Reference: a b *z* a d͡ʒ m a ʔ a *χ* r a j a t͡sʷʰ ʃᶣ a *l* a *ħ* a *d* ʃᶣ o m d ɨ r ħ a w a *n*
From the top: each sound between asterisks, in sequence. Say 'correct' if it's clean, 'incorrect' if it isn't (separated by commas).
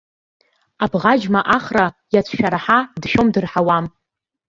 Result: incorrect, correct, incorrect, correct, correct, incorrect